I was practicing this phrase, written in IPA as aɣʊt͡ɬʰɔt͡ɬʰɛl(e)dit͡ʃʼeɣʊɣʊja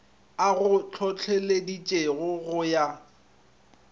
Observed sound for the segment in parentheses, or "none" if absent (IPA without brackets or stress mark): e